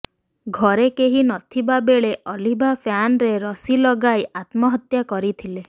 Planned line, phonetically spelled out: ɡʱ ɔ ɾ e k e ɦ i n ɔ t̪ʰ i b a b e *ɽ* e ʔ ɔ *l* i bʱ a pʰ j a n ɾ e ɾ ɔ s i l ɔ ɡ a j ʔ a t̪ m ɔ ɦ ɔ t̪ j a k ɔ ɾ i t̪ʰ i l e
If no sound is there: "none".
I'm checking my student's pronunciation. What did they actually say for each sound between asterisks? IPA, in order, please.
ɭ, l

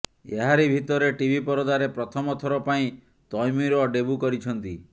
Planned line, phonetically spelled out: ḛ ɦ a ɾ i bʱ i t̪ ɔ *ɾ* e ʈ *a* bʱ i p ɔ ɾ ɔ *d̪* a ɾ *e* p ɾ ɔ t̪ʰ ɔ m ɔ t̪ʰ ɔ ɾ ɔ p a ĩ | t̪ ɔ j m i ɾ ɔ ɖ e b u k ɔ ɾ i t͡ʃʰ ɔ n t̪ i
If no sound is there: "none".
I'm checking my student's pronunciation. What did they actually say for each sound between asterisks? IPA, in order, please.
ɾ, i, d̪, e

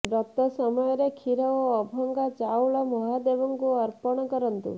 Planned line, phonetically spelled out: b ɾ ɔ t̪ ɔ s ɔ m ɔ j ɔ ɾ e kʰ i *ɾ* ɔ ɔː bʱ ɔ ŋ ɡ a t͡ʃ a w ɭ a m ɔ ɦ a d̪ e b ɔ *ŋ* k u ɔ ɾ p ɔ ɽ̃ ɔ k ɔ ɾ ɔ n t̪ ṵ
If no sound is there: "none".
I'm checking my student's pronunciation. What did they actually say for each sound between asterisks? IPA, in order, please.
ɾ, ŋ

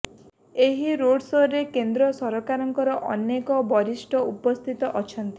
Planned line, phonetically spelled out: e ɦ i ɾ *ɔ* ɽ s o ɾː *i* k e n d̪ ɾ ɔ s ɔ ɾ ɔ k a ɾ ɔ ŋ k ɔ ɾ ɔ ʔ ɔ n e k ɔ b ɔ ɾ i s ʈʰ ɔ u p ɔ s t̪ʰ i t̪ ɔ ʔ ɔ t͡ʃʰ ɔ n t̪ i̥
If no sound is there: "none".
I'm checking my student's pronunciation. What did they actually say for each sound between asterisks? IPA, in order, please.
o, e

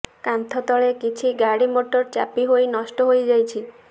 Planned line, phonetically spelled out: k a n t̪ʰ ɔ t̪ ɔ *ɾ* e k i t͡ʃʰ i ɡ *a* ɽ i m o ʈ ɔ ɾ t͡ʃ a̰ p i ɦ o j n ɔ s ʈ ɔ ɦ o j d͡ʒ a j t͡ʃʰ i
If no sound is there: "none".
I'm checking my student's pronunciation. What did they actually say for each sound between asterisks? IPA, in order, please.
ɭ, a

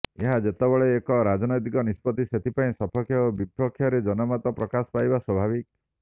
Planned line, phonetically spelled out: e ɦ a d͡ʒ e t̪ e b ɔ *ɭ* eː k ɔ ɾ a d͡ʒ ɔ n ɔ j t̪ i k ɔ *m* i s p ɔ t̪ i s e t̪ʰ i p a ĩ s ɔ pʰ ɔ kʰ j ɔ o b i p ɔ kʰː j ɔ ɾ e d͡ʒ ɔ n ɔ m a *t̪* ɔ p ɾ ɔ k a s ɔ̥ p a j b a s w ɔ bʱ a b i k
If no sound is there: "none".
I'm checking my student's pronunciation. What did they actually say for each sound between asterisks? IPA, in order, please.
ɭ, n, t̪

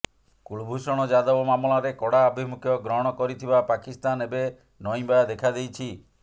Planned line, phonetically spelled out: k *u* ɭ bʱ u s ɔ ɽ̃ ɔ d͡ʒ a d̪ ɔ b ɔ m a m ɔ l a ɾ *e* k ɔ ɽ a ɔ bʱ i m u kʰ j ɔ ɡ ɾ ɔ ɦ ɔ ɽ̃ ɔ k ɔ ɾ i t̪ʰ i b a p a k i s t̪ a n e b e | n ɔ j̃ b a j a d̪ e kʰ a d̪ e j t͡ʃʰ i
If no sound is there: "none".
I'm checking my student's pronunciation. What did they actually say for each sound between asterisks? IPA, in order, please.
u, e

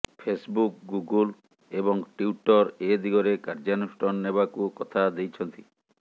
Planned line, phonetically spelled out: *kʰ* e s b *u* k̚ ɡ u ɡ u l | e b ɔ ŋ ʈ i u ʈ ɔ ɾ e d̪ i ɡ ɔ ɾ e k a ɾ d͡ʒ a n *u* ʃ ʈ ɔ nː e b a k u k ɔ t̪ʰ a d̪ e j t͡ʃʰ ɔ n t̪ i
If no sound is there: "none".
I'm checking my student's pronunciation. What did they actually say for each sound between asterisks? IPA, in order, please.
pʰ, u, u

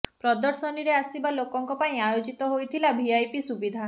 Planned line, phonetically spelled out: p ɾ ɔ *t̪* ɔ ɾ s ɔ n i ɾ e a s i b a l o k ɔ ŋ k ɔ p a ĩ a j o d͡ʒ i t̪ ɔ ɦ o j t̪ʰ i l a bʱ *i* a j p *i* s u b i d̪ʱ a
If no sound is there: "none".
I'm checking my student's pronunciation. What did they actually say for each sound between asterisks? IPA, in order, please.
d̪, i, i

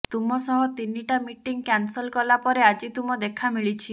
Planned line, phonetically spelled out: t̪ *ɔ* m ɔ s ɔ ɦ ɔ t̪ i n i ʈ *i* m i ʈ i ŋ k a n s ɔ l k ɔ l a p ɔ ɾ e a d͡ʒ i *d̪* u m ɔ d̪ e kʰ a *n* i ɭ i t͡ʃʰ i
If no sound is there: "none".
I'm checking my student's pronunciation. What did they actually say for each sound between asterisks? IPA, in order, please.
u, a, t̪, m

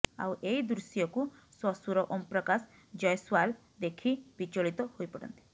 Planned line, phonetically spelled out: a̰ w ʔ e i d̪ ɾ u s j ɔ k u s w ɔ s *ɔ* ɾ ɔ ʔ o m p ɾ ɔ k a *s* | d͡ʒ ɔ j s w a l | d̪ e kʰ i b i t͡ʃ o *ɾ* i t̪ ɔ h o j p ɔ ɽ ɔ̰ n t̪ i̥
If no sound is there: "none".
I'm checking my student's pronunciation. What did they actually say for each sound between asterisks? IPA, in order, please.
u, s, ɭ

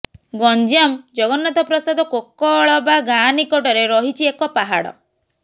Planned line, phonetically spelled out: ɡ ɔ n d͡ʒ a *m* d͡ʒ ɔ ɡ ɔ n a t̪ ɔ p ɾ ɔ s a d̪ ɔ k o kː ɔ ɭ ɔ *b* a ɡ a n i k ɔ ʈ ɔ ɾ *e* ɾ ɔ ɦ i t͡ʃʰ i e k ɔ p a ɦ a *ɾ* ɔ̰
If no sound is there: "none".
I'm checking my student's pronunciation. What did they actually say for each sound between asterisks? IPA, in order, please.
m, b, e, ɽ

